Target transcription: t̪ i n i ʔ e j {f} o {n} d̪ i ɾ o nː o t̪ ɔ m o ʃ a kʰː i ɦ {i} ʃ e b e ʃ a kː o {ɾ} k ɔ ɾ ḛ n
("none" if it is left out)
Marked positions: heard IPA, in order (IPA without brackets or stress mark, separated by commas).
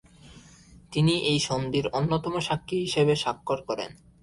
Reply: ʃ, n, i, ɾ